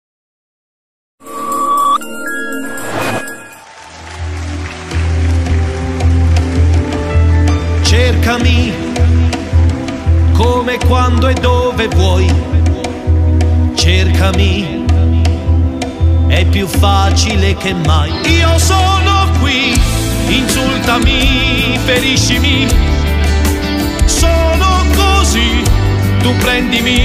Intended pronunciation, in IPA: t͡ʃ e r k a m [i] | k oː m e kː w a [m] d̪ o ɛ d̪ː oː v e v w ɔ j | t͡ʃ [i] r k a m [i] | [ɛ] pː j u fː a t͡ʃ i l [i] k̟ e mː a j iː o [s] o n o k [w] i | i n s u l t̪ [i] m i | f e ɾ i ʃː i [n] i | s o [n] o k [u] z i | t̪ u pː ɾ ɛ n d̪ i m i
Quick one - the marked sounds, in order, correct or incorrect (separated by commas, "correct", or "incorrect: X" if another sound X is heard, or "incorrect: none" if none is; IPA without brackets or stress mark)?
correct, incorrect: n, incorrect: e, correct, correct, incorrect: e, correct, correct, incorrect: a, incorrect: m, correct, incorrect: o